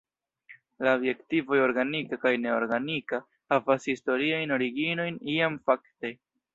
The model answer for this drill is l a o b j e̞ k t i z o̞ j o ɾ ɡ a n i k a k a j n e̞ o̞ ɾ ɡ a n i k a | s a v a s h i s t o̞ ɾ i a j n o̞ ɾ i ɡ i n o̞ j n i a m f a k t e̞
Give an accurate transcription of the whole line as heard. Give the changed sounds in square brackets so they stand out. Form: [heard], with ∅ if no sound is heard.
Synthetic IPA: l a o b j e̞ k t i [v] o̞ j o ɾ ɡ a n i k a k a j n e̞ o̞ ɾ ɡ a n i k a | [h] a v a s h i s t o̞ ɾ i a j n o̞ ɾ i ɡ i n o̞ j n i a m f a k t e̞

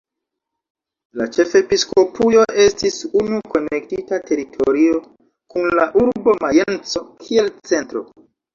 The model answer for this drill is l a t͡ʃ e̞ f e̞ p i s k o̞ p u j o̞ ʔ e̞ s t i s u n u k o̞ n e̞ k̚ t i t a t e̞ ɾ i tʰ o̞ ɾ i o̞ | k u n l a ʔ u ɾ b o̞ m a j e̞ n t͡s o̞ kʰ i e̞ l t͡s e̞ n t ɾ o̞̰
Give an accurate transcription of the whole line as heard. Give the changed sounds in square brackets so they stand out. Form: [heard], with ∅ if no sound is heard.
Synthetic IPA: l a t͡ʃ e̞ f e̞ p i s k o̞ p u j o̞ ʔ e̞ s t i s u n u k o̞ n e̞ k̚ t i t a t e̞ ɾ i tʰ o̞ ɾ i o̞ | k u n l a ʔ u ɾ b o̞ m a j e̞ n t͡s o̞ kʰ i e̞ l t͡s e̞ n t ɾ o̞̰

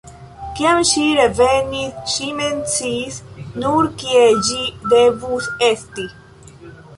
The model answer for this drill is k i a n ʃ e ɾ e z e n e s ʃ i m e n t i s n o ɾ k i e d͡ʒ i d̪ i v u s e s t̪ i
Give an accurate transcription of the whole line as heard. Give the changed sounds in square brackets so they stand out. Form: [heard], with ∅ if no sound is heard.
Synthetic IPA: k i a [m] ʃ [i] ɾ e [v] e n [i] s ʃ i m e n [t͡s] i s n [u] ɾ k i e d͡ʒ i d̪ [e] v u s e s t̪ i

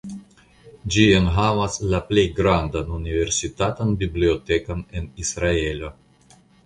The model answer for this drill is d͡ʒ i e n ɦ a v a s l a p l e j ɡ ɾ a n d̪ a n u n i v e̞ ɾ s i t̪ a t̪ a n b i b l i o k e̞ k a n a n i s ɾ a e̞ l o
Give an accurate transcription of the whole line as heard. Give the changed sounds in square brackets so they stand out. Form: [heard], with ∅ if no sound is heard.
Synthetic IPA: d͡ʒ i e n ɦ a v a s l a p l e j ɡ ɾ a n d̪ a n u n i v e̞ ɾ s i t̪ a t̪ a n b i b l i o [t] e̞ k a n [e] n i s ɾ a e̞ l o

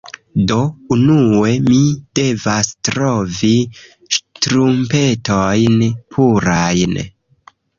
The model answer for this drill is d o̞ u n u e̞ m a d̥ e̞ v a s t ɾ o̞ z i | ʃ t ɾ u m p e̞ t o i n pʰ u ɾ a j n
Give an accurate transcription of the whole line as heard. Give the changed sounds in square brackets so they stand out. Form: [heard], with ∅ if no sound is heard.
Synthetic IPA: d o̞ u n u e̞ m [i] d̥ e̞ v a s t ɾ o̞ [v] i | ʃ t ɾ u m p e̞ t o [j] n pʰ u ɾ a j n

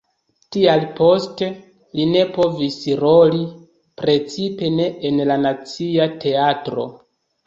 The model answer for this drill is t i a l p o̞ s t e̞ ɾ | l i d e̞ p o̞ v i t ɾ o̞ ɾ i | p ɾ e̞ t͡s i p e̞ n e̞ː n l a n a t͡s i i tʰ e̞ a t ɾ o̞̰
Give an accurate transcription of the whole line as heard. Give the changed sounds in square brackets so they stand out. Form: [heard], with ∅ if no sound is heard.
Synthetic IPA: t i a l p o̞ s t e̞ [∅] | l i [n] e̞ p o̞ v i [s] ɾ o̞ [l] i | p ɾ e̞ t͡s i p e̞ n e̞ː n l a n a t͡s i [a] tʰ e̞ a t ɾ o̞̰

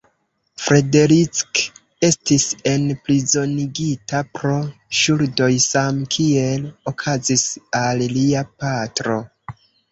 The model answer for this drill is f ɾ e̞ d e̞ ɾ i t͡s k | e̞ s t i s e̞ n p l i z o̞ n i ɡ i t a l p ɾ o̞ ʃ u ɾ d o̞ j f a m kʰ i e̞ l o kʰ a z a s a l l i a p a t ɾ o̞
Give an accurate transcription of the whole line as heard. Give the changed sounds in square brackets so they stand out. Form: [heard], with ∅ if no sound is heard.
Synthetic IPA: f ɾ e̞ d e̞ ɾ i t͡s k | e̞ s t i s e̞ n p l i z o̞ n i ɡ i t a [∅] p ɾ o̞ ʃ u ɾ d o̞ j [s] a m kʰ i e̞ l o kʰ a z [i] s a l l i a p a t ɾ o̞

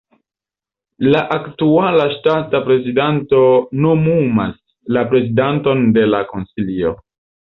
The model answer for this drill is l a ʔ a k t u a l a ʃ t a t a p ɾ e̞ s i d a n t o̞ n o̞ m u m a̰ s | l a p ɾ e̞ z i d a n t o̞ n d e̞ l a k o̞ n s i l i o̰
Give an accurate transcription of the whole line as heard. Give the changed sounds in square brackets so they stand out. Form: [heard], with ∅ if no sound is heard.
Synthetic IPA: l a ʔ a k t u a l a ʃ t a t a p ɾ e̞ [z] i d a n t o̞ n o̞ m u m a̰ s | l a p ɾ e̞ z i d a n t o̞ n d e̞ l a k o̞ n s i l i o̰

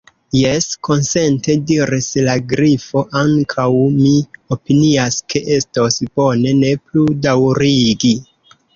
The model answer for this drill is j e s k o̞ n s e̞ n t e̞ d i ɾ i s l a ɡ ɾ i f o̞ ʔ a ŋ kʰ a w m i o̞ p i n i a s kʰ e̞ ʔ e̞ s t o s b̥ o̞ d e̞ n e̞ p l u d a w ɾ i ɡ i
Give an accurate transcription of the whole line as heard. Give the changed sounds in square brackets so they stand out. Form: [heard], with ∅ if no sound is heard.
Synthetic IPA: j e s k o̞ n s e̞ n t e̞ d i ɾ i s l a ɡ ɾ i f o̞ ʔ a ŋ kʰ a w m i o̞ p i n i a s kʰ e̞ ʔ e̞ s t o s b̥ o̞ [n] e̞ n e̞ p l u d a w ɾ i ɡ i

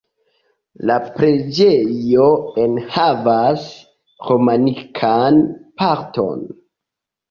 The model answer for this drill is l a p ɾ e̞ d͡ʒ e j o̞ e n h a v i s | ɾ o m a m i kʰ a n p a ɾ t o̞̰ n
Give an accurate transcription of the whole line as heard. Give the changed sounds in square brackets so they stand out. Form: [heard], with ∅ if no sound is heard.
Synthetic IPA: l a p ɾ e̞ d͡ʒ e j o̞ e n h a v [a] s | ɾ o m a [n] i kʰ a n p a ɾ t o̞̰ n

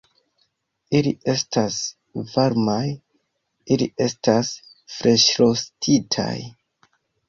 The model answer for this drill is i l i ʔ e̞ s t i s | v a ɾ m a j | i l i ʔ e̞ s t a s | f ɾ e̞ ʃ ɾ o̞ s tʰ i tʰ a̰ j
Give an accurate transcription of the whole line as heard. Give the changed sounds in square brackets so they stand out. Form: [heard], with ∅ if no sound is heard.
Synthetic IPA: i l i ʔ e̞ s t [a] s | v a ɾ m a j | i l i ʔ e̞ s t a s | f ɾ e̞ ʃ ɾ o̞ s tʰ i tʰ a̰ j

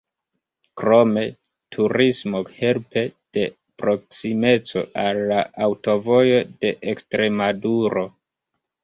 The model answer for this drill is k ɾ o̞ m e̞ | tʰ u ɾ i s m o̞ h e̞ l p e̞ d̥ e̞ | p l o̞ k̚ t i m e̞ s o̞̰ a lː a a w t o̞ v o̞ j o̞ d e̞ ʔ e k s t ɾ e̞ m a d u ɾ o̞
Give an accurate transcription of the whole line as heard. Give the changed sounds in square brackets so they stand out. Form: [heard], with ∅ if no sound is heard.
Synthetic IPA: k ɾ o̞ m e̞ | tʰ u ɾ i s m o̞ h e̞ l p e̞ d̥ e̞ | p [ɾ] o̞ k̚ [s] i m e̞ [t͡s] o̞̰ a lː a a w t o̞ v o̞ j o̞ d e̞ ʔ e k s t ɾ e̞ m a d u ɾ o̞

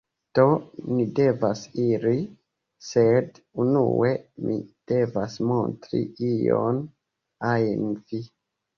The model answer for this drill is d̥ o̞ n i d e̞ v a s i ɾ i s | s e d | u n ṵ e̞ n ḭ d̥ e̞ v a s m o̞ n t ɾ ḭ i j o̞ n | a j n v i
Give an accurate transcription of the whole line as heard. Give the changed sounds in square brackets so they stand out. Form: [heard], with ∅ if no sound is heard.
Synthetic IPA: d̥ o̞ n i d e̞ v a s i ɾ i [∅] | s e d | u n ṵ e̞ [m] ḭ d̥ e̞ v a s m o̞ n t ɾ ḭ i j o̞ n | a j n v i

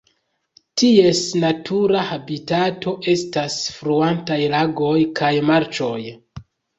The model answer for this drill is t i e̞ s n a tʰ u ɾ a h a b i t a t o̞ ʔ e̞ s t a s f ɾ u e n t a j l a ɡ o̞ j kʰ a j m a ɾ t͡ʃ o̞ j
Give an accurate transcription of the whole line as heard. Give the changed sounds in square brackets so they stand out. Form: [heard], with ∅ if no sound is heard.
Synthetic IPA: t i e̞ s n a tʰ u ɾ a h a b i t a t o̞ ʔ e̞ s t a s f ɾ u [a] n t a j l a ɡ o̞ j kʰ a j m a ɾ t͡ʃ o̞ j

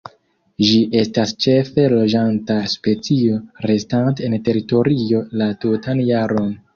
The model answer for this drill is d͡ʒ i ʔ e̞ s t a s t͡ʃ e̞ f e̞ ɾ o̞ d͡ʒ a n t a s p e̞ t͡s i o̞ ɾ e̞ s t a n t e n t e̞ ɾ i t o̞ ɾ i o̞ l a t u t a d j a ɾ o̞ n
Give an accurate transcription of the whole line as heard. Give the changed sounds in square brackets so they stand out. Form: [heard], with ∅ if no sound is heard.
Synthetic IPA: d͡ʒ i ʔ e̞ s t a s t͡ʃ e̞ f e̞ [l] o̞ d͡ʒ a n t a s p e̞ t͡s i o̞ ɾ e̞ s t a n t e n t e̞ ɾ i t o̞ ɾ i o̞ l a t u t a [n] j a ɾ o̞ n

